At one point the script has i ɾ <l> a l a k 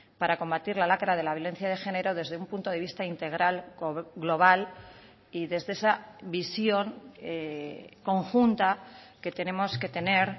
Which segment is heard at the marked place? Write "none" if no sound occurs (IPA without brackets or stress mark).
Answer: l